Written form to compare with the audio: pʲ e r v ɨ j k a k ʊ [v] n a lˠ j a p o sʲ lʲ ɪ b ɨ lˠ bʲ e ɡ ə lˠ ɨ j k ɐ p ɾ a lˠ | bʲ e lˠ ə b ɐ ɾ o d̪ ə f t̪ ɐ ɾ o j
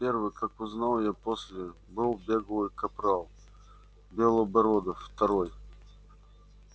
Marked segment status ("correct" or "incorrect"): incorrect